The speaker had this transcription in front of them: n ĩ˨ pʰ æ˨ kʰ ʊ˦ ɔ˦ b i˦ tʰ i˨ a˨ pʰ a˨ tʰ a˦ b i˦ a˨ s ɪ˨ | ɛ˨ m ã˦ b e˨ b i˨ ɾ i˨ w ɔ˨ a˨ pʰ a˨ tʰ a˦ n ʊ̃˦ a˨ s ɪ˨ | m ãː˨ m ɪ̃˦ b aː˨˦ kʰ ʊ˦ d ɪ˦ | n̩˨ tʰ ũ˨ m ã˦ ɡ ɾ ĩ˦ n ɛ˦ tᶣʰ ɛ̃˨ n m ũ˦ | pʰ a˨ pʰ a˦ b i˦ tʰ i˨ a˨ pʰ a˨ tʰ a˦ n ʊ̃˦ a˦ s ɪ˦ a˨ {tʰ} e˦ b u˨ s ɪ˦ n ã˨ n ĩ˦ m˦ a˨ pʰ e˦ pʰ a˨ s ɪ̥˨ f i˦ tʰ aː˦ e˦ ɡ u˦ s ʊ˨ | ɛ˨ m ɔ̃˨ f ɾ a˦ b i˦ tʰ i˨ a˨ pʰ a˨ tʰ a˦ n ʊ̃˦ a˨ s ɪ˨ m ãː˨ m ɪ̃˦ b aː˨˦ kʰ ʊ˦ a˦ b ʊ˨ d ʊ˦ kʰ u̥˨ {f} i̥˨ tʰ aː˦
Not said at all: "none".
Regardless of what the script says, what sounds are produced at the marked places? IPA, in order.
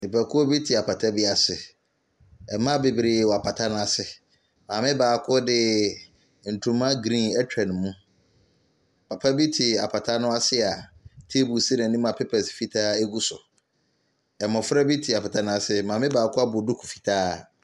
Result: tʰ, f

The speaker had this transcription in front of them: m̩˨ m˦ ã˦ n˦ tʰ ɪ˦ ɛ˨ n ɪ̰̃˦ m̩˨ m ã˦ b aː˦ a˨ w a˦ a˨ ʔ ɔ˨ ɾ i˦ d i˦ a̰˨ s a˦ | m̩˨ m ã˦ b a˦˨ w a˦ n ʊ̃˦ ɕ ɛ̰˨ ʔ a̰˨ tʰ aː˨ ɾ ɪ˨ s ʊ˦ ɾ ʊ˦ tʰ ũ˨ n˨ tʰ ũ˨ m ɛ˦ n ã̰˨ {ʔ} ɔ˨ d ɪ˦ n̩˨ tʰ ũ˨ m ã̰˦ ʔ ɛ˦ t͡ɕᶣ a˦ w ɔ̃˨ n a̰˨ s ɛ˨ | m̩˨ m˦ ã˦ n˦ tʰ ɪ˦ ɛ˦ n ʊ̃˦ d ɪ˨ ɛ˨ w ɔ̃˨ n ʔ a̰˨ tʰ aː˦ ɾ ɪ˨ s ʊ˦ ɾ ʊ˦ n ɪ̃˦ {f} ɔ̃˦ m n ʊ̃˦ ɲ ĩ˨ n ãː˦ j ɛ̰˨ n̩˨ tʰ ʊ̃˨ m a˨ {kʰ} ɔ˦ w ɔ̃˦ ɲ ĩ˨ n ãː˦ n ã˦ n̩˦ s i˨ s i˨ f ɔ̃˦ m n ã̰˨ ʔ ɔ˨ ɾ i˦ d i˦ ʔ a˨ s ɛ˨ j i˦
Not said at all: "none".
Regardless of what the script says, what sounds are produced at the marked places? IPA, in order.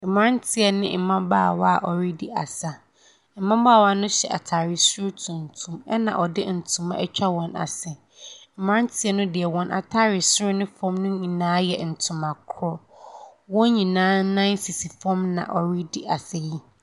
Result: ʔ, f, kʰ

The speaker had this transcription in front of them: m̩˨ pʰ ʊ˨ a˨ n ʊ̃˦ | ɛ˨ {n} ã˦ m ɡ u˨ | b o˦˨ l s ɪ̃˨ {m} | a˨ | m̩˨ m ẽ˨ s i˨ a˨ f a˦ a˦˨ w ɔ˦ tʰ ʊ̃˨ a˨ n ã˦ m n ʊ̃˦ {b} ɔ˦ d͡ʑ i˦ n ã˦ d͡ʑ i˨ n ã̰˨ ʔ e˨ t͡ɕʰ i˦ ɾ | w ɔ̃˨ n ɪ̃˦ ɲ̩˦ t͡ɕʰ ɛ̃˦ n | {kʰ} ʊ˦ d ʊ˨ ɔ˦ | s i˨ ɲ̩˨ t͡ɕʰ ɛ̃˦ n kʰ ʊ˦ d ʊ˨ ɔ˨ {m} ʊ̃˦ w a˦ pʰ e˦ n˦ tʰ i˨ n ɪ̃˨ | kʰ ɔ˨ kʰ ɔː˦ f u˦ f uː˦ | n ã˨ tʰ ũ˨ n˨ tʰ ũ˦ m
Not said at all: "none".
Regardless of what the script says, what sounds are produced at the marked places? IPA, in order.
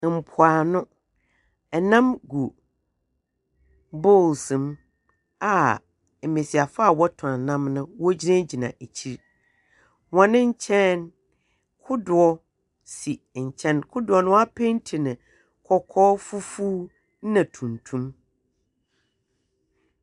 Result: n, m, w, kʰ, n

